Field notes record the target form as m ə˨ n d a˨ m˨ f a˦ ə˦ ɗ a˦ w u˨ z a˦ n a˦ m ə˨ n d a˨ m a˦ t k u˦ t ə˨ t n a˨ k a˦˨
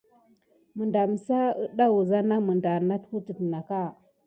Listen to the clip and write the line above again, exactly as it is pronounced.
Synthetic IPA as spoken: m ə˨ n d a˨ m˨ s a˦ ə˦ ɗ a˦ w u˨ z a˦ n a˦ m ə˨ n d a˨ n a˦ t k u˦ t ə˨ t n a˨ k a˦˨